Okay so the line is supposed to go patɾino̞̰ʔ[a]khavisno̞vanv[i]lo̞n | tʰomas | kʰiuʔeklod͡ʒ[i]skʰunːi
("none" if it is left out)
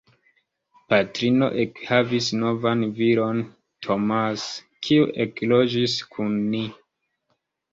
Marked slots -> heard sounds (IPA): e, i, i

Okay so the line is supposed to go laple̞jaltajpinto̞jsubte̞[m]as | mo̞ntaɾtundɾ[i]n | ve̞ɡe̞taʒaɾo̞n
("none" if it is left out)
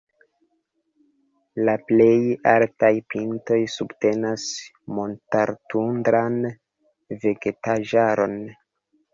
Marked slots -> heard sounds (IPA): n, a

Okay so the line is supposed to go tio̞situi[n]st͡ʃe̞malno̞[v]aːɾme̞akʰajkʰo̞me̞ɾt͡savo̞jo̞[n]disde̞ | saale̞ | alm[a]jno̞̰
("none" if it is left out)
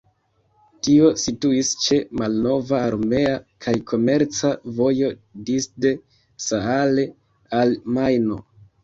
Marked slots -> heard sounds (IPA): none, v, none, a

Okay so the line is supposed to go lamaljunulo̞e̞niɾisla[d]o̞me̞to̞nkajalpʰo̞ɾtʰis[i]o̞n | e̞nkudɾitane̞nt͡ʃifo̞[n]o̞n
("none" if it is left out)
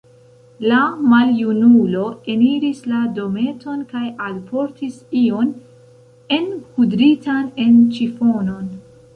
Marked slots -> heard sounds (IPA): d, i, n

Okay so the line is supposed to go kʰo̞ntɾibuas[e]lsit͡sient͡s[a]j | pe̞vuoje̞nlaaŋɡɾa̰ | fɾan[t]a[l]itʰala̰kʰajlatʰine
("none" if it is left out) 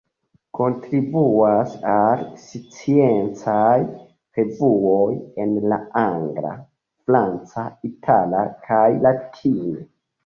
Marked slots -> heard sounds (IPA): a, a, t͡s, none

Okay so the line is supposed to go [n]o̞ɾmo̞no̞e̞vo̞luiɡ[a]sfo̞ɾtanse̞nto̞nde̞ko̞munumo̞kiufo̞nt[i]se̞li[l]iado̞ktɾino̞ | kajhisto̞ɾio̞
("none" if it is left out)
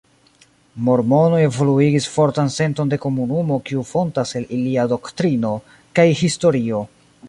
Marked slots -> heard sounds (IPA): m, i, a, l

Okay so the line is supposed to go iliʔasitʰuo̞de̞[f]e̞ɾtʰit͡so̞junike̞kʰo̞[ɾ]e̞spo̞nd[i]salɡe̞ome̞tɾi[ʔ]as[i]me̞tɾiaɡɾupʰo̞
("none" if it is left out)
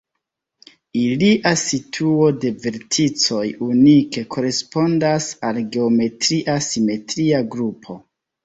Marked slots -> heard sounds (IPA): v, ɾ, a, ʔ, i

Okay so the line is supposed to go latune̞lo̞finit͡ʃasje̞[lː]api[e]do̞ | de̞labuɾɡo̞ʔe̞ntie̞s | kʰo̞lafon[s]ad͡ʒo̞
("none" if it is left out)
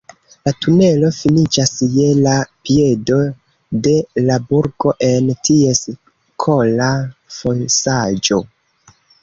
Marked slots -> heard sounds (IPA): l, e, s

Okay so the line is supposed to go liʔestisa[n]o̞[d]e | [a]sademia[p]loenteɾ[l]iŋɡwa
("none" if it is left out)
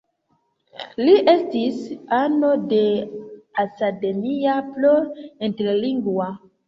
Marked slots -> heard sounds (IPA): n, d, a, p, l

